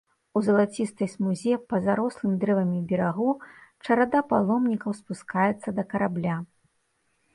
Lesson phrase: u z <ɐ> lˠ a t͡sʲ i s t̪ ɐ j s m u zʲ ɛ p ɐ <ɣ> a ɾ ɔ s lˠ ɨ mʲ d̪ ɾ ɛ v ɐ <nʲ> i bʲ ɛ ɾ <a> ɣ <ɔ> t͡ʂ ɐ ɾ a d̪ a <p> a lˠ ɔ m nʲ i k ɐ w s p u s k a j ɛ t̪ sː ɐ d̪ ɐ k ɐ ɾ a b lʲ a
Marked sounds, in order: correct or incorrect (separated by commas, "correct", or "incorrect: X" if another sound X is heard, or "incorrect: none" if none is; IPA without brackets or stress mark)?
correct, incorrect: z, incorrect: mʲ, correct, incorrect: u, correct